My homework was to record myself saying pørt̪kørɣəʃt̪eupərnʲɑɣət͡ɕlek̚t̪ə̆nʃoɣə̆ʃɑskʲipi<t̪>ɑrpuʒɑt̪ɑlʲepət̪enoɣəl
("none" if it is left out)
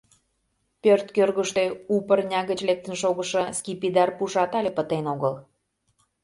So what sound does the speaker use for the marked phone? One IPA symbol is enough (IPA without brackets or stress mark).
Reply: d̪